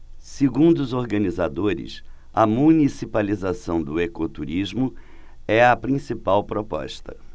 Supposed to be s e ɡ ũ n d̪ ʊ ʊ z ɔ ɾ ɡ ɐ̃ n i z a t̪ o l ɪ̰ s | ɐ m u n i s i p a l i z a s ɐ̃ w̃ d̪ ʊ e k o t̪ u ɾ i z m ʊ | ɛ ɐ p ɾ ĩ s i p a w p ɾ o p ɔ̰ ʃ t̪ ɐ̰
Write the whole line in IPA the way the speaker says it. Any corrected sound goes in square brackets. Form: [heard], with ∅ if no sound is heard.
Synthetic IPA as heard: s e ɡ ũ n d̪ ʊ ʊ z [o] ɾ ɡ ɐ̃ n i z a [d̪] o [ɾ] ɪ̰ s | ɐ m u n i s i p a l i z a s ɐ̃ w̃ d̪ ʊ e k o t̪ u ɾ i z m ʊ | ɛ ɐ p ɾ ĩ s i p a w p ɾ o p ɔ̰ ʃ t̪ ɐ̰